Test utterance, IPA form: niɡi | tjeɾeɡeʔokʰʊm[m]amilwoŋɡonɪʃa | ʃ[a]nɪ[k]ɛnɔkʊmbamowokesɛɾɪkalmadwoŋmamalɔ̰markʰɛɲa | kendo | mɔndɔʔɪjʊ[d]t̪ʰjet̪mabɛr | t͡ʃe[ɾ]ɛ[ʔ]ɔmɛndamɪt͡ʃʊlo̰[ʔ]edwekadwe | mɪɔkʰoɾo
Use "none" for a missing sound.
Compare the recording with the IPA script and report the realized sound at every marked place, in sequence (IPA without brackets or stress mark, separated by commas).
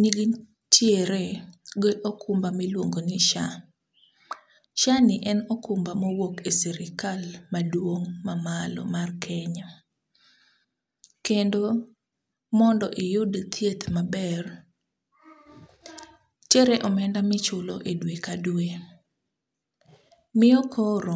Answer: b, a, ʔ, d, ɾ, ʔ, ʔ